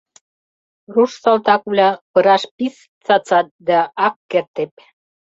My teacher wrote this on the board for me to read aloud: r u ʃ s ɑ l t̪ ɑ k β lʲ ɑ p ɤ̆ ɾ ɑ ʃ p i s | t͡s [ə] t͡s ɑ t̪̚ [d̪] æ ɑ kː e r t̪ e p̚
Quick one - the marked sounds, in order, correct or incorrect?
incorrect: ɑ, correct

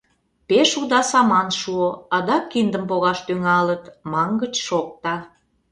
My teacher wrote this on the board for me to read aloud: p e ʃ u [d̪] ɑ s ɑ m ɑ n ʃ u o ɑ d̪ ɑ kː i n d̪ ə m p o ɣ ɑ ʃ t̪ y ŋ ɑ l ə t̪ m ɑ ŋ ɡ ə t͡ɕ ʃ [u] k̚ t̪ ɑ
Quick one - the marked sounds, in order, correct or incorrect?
correct, incorrect: o

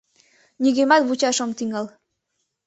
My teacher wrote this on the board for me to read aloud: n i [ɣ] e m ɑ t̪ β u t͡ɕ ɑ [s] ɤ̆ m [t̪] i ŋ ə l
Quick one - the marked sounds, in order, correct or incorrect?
correct, incorrect: ʃ, correct

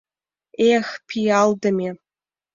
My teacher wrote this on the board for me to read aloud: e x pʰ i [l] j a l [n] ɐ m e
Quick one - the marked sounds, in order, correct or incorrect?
incorrect: none, incorrect: d

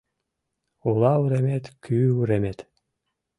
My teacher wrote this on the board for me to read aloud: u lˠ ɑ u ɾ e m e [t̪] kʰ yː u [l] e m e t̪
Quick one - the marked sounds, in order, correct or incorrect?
correct, incorrect: ɾ

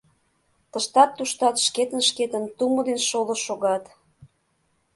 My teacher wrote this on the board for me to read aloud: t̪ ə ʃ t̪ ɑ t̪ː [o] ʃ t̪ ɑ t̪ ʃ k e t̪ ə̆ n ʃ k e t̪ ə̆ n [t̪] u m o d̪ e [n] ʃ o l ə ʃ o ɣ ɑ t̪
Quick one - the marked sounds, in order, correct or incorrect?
incorrect: u, correct, correct

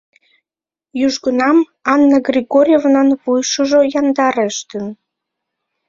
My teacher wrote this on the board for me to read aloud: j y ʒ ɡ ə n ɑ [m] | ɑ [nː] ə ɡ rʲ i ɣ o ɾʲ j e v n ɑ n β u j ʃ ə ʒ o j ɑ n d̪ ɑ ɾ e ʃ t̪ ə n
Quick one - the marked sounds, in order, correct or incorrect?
correct, correct

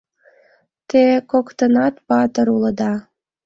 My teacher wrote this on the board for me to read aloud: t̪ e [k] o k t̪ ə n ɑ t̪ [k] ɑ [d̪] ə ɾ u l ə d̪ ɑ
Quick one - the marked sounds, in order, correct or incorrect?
correct, incorrect: p, incorrect: t̪

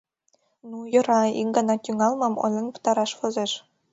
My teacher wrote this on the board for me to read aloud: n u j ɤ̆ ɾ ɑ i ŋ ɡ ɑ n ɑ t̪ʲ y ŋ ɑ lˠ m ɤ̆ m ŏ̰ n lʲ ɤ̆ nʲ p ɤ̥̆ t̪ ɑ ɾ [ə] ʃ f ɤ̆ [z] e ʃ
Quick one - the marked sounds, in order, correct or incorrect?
incorrect: ɑ, correct

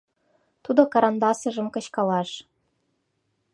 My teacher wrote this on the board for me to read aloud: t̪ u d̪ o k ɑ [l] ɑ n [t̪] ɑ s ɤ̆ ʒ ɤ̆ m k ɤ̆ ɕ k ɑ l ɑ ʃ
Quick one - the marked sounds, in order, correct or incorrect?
incorrect: ɾ, incorrect: d̪

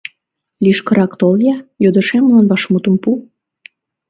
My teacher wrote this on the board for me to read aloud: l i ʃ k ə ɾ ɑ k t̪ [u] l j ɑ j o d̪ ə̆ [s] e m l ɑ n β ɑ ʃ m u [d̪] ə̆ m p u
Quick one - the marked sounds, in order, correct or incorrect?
incorrect: o, incorrect: ʃ, incorrect: t̪

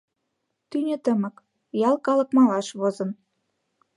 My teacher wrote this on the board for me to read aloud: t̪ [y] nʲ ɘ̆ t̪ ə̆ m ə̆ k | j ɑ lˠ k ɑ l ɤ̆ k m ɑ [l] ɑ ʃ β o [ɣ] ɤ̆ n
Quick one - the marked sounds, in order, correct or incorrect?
correct, correct, incorrect: z

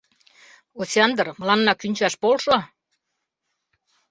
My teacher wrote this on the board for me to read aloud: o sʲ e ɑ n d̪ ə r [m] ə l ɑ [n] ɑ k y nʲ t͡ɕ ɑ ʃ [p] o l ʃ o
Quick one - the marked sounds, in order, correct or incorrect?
correct, incorrect: nː, correct

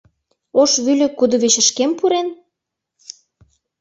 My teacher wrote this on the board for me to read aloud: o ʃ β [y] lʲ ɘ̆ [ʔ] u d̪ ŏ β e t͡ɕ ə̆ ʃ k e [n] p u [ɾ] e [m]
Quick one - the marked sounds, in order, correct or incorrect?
correct, incorrect: k, incorrect: m, correct, incorrect: n

